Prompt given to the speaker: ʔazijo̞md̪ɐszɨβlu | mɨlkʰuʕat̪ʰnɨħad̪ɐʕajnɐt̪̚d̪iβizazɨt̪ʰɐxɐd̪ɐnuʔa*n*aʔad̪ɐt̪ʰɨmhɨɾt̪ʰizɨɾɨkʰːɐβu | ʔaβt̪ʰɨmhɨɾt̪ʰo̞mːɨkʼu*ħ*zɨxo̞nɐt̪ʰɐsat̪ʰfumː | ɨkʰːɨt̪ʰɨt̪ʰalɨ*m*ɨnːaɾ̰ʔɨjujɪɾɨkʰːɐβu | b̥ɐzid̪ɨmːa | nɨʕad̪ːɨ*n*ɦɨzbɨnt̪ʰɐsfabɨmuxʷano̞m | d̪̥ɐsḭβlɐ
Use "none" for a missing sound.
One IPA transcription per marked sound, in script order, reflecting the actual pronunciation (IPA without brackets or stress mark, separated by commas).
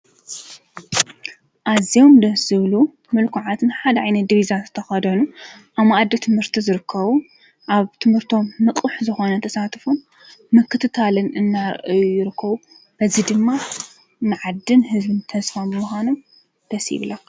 m, ħ, n, n